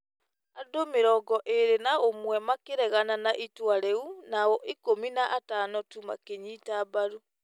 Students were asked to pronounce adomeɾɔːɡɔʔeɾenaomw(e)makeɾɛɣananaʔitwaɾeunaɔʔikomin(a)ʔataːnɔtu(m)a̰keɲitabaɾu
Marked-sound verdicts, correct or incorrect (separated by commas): incorrect, correct, correct